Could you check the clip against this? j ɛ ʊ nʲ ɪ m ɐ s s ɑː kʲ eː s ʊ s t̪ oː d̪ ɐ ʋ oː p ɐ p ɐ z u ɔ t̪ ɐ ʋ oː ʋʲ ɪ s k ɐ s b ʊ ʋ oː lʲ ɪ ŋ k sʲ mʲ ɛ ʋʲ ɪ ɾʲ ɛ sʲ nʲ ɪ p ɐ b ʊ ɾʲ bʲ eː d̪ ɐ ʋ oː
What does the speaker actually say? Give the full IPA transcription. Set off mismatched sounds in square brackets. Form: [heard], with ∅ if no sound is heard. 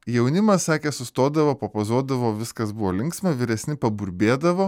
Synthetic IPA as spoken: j ɛ ʊ nʲ ɪ m ɐ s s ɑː kʲ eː s ʊ s t̪ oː d̪ ɐ ʋ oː p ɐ p ɐ z u ɔ [d̪] ɐ ʋ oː ʋʲ ɪ s k ɐ s b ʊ ʋ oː lʲ ɪ ŋ k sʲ mʲ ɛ ʋʲ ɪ ɾʲ ɛ sʲ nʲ ɪ p ɐ b ʊ ɾʲ bʲ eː d̪ ɐ ʋ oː

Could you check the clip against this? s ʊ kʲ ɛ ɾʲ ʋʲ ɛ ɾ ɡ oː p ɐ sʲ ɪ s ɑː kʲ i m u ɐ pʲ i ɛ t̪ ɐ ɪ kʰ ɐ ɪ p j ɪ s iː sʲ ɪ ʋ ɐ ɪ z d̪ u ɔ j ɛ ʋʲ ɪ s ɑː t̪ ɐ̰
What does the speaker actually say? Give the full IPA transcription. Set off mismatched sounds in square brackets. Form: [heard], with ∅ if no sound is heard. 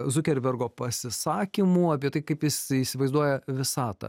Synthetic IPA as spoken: [z] ʊ kʲ ɛ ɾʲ ʋʲ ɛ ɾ ɡ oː p ɐ sʲ ɪ s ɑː kʲ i m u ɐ pʲ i ɛ t̪ ɐ ɪ [k] ɐ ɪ p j ɪ s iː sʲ ɪ ʋ ɐ ɪ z d̪ u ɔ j ɛ ʋʲ ɪ s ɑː t̪ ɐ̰

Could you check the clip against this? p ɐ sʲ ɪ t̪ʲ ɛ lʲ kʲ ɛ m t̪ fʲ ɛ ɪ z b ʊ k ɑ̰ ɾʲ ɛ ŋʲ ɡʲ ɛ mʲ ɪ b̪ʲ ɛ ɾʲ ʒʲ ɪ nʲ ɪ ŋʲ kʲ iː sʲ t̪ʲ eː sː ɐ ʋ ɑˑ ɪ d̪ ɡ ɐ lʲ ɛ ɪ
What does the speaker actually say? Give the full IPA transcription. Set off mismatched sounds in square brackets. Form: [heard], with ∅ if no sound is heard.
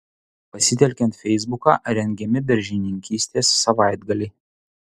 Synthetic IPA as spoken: p ɐ sʲ ɪ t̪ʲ ɛ lʲ kʲ ɛ [n] t̪ fʲ ɛ ɪ z b ʊ k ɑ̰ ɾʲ ɛ ŋʲ ɡʲ ɛ mʲ ɪ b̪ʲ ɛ ɾʲ ʒʲ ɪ nʲ ɪ ŋʲ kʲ iː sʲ t̪ʲ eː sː ɐ ʋ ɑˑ ɪ d̪ ɡ ɐ lʲ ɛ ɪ

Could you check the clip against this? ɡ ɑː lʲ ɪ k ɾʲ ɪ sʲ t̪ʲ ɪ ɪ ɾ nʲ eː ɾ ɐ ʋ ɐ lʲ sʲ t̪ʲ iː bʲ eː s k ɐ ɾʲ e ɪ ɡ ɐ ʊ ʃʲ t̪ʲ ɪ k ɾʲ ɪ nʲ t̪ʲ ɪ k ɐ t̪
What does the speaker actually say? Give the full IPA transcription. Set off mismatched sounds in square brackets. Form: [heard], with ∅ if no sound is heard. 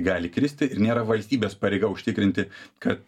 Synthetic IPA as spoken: ɡ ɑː lʲ ɪ k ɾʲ ɪ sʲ t̪ʲ ɪ ɪ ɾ nʲ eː ɾ ɐ ʋ ɐ lʲ sʲ t̪ʲ iː bʲ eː s [p] ɐ ɾʲ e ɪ ɡ ɐ ʊ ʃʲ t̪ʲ ɪ k ɾʲ ɪ nʲ t̪ʲ ɪ k ɐ t̪

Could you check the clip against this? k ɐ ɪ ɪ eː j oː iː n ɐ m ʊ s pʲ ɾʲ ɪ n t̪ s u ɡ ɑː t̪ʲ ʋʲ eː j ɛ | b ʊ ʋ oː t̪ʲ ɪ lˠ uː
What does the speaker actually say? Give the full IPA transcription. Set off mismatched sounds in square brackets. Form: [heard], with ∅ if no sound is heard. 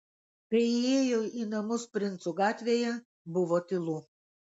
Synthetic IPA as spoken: k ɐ ɪ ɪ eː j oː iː n ɐ m ʊ s pʲ ɾʲ ɪ n t̪ s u ɡ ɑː t̪ʲ ʋʲ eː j ɛ | b ʊ ʋ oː t̪ʲ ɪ lˠ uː

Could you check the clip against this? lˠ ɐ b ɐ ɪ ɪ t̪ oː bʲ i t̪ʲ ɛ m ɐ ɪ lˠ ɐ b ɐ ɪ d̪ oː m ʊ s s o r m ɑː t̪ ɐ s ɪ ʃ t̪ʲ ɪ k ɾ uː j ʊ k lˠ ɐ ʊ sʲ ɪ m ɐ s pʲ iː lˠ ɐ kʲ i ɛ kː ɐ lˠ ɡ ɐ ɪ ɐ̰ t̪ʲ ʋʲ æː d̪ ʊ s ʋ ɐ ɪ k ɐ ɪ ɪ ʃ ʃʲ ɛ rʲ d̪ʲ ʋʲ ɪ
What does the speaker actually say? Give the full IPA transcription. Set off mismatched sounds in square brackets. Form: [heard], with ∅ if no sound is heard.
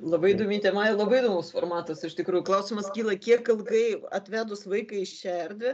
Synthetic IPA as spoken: lˠ ɐ b ɐ ɪ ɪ [d̪] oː [mʲ] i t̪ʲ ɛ m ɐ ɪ lˠ ɐ b ɐ ɪ d̪ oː m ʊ s [f] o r m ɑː t̪ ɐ s ɪ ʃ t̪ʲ ɪ k ɾ uː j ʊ k lˠ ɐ ʊ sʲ ɪ m ɐ s [kʲ] iː lˠ ɐ kʲ i ɛ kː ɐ lˠ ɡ ɐ ɪ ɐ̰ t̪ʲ ʋʲ æː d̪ ʊ s ʋ ɐ ɪ k ɐ ɪ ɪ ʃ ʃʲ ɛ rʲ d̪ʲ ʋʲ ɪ

